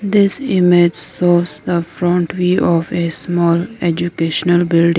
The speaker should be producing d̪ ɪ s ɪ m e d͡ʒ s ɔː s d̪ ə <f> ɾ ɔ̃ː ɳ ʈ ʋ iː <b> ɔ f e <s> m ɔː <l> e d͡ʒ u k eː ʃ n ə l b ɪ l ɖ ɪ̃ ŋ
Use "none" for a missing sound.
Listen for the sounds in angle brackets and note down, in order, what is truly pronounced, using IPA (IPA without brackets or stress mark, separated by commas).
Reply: f, none, s, l